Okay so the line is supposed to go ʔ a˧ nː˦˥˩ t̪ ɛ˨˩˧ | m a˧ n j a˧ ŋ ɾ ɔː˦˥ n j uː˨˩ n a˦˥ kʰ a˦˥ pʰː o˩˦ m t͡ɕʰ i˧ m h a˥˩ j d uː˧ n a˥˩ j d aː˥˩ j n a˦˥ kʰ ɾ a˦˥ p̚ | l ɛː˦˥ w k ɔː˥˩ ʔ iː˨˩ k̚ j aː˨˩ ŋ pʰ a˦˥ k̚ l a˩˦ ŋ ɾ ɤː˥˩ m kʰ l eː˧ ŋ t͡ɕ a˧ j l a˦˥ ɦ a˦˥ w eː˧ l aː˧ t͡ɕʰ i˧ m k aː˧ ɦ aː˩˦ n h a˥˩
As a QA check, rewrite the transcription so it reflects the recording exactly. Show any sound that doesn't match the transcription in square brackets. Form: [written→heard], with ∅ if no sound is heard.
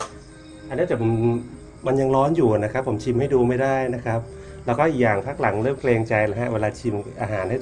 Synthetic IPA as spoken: ʔ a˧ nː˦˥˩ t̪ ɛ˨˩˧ | m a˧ n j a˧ ŋ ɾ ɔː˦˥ n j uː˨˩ n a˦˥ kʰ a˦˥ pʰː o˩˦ m t͡ɕʰ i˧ m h a˥˩ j d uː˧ [n→m] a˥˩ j d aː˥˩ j n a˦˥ kʰ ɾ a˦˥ p̚ | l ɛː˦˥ w k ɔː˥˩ ʔ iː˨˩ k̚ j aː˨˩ ŋ pʰ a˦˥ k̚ l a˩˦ ŋ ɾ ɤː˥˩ m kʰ l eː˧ ŋ t͡ɕ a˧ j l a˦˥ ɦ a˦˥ w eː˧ l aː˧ t͡ɕʰ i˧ m [k→ʔ] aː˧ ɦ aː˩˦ n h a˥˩